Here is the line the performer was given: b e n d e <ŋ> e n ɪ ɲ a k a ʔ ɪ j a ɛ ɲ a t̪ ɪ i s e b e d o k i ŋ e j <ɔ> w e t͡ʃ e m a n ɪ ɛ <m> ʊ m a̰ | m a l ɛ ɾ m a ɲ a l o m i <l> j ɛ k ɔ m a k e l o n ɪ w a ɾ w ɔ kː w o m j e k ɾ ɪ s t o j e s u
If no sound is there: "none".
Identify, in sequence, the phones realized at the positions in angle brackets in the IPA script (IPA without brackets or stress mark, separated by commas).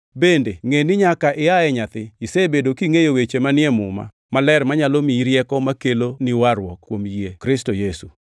ŋ, o, m, ɾ